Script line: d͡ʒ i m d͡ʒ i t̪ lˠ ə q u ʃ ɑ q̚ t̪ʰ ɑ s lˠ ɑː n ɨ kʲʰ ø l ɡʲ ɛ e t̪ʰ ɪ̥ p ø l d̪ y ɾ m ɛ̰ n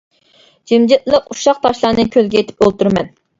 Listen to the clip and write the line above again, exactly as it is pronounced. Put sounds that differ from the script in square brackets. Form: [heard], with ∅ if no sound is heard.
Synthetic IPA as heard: d͡ʒ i m d͡ʒ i t̪ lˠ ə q u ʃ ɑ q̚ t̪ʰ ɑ [ʃ] lˠ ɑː n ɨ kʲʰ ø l ɡʲ ɛ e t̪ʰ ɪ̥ p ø l [t̪] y ɾ m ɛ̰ n